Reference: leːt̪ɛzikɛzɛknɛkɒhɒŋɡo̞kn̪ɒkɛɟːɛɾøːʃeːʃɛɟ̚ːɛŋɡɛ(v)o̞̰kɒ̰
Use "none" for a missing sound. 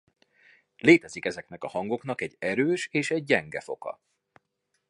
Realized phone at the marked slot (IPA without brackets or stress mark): f